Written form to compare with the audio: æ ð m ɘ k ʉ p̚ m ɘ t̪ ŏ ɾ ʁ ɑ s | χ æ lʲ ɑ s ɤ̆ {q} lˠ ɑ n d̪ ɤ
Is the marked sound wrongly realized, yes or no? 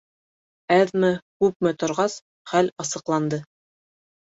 no